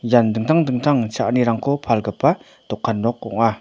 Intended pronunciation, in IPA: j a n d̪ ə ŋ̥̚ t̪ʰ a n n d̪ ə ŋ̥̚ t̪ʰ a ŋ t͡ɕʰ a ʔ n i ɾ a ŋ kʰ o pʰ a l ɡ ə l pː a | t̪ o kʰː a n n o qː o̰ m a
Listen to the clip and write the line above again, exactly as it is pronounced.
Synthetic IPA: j a n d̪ ə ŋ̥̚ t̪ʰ a ŋ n d̪ ə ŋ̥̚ t̪ʰ a ŋ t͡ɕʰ a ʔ n i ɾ a ŋ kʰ o pʰ a l ɡ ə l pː a | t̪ o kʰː a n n o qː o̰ ŋ a

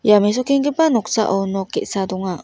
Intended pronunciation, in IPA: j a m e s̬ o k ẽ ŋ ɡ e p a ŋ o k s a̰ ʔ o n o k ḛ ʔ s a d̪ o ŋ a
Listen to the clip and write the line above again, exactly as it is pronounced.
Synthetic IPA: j a m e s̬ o k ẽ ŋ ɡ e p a n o k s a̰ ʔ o n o k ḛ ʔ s a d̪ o ŋ a

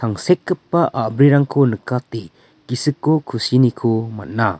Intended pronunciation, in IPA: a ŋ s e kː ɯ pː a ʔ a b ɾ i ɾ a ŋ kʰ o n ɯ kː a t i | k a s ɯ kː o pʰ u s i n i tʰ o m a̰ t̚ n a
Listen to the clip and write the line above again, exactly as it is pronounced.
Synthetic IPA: a ŋ s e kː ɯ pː a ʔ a b ɾ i ɾ a ŋ kʰ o n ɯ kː a t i | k i s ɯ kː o kʰ u s i n i kʰ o m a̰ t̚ n a

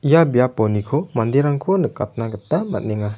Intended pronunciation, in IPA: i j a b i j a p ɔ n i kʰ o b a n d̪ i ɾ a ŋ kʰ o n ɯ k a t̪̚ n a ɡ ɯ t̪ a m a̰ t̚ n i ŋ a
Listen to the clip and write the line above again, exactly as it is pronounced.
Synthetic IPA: i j a b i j a p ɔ n i kʰ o m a n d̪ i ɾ a ŋ kʰ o n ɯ k a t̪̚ n a ɡ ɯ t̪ a m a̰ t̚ n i ŋ a

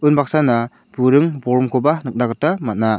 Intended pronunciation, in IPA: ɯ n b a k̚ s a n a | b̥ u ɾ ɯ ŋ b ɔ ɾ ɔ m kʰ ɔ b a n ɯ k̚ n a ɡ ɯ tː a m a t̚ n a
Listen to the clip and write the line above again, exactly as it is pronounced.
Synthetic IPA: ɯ n b a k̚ s a n a | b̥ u ɾ ɯ ŋ b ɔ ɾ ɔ m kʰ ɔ b a n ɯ k̚ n a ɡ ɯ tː a m a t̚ n a

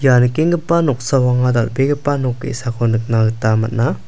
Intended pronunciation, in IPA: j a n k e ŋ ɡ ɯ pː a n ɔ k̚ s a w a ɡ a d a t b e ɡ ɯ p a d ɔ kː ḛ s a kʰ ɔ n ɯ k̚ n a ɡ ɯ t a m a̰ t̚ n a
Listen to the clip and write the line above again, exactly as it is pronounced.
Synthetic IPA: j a n k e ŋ ɡ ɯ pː a n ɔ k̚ s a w a ŋ a d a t b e ɡ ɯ p a n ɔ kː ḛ s a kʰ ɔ n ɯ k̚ n a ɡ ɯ t a m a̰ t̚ n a

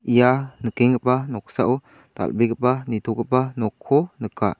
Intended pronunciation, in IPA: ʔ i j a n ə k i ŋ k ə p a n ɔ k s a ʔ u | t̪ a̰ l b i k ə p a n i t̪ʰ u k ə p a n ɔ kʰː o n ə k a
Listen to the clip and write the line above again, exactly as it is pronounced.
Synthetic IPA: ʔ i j a n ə k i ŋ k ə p a n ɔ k s a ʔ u | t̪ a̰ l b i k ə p a n i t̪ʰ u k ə p a n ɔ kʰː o n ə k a

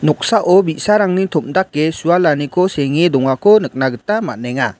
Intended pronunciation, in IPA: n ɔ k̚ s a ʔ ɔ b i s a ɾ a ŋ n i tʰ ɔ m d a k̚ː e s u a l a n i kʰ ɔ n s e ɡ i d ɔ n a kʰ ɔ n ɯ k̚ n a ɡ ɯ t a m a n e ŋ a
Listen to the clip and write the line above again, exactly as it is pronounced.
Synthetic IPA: n ɔ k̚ s a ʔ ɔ b i s a ɾ a ŋ n i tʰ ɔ m d a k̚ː e s u a l a n i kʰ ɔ s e ŋ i d ɔ ŋ a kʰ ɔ n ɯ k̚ n a ɡ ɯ t a m a n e ŋ a

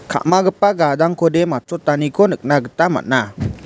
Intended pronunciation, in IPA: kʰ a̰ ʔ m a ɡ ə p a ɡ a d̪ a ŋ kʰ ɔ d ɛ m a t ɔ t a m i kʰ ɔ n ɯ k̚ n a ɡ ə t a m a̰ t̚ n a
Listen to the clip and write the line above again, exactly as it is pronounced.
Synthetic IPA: kʰ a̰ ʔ m a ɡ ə p a ɡ a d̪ a ŋ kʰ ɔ d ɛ m a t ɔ t a n i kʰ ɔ n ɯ k̚ n a ɡ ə t a m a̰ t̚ n a

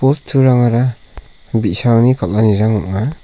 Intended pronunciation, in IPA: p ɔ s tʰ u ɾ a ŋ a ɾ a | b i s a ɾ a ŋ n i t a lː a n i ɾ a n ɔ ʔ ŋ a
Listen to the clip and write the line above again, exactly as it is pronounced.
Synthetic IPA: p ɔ s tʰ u ɾ a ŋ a ɾ a | b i s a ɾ a ŋ n i k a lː a n i ɾ a ŋ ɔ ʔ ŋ a

